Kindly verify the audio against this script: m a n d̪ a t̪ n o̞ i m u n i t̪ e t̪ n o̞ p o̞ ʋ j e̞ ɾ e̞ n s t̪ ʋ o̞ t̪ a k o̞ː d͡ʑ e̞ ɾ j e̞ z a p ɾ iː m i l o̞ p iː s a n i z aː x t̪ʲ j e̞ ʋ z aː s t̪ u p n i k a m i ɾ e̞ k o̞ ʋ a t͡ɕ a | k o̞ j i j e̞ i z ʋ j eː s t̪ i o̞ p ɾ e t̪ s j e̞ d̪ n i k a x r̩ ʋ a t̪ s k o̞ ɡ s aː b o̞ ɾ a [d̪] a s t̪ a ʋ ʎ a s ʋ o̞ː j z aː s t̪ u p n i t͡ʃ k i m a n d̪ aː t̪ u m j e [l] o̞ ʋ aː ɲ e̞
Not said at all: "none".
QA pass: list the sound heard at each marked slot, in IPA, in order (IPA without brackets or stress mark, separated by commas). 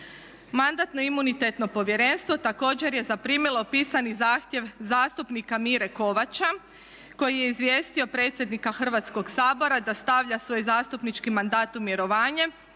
d̪, ɾ